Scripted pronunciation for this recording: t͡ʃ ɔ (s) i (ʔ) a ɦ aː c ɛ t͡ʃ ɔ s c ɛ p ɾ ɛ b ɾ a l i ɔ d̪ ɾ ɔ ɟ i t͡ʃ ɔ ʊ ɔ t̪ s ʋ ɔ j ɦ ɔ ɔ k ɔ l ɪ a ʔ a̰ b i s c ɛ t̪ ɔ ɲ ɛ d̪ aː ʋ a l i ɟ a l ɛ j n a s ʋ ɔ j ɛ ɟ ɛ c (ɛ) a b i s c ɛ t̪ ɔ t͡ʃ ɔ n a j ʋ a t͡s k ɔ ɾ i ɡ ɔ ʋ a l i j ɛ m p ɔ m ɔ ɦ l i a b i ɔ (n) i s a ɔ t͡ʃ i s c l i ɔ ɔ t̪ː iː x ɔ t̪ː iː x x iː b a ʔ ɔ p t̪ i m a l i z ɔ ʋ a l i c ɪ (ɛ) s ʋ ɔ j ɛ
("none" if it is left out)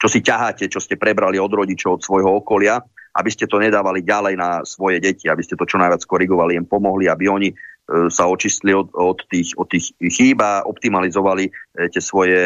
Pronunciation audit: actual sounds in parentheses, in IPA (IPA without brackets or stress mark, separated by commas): s, c, i, ɲ, ɛ